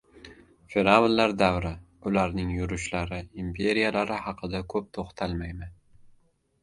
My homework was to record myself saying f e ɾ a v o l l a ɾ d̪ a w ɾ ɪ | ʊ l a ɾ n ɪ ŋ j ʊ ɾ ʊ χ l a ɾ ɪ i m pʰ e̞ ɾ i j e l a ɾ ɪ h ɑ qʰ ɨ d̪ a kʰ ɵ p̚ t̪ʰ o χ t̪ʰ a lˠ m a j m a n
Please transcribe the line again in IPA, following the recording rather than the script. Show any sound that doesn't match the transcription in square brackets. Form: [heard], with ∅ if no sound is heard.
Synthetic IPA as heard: f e ɾ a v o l l a ɾ d̪ a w ɾ ɪ | ʊ l a ɾ n ɪ ŋ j ʊ ɾ ʊ [ʃ] l a ɾ ɪ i m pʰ e̞ ɾ i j [a] l a ɾ ɪ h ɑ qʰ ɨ d̪ a kʰ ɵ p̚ t̪ʰ o χ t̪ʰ a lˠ m a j m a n